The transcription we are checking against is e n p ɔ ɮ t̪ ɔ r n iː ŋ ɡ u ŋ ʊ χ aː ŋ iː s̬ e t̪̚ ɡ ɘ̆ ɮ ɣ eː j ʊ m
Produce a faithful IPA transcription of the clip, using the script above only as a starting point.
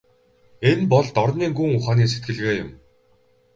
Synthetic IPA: e n p ɔ ɮ t̪ ɔ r n iː ŋ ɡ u ŋ ʊ χ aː n iː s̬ e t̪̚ ɡ ɘ̆ ɮ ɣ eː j ʊ m